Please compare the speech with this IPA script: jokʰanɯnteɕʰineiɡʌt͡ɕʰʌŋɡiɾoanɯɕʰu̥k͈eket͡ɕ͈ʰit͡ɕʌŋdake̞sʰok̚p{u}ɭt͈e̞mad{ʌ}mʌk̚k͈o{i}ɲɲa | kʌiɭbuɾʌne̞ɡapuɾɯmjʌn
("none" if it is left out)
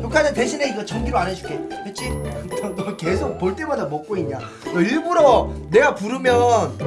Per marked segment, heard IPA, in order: o, a, i

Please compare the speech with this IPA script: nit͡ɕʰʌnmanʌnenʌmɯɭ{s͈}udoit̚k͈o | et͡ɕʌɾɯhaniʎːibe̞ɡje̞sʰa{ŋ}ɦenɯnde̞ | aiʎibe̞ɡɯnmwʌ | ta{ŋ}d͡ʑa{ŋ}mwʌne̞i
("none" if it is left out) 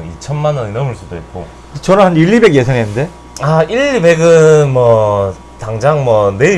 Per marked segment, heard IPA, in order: s͈, ŋ, ŋ, ŋ

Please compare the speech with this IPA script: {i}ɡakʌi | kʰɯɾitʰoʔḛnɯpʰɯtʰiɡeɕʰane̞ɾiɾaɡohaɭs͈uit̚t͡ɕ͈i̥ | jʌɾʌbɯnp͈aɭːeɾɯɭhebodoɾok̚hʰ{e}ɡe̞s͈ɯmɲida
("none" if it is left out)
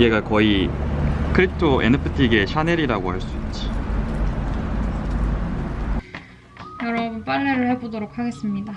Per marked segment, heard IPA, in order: e, a

